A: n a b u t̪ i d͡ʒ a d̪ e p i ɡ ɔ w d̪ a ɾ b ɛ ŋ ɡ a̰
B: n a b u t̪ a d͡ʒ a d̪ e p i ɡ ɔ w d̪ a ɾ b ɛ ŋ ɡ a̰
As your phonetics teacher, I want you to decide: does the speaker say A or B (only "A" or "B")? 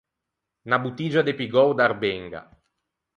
A